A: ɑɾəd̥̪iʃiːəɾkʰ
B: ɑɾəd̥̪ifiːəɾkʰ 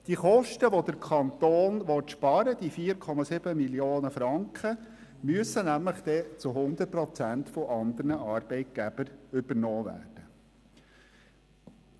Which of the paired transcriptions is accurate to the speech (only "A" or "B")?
B